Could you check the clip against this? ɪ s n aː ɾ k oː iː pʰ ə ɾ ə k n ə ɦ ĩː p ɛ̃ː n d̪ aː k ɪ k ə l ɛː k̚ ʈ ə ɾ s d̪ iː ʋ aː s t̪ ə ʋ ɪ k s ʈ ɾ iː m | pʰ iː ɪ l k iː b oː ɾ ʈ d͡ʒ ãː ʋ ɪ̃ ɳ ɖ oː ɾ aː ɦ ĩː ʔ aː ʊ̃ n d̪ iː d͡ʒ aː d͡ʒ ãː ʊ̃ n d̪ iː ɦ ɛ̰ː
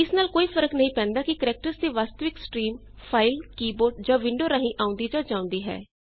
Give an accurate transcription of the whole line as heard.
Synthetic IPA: ɪ s n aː l k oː iː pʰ ə ɾ ə k n ə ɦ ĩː p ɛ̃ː n d̪ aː k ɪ k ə ɾ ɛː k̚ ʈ ə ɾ s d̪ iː ʋ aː s t̪ ə ʋ ɪ k s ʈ ɾ iː m | pʰ aː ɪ l k iː b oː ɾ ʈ d͡ʒ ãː ʋ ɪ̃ ɳ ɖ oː ɾ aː ɦ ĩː ʔ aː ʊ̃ n d̪ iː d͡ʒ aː d͡ʒ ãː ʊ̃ n d̪ iː ɦ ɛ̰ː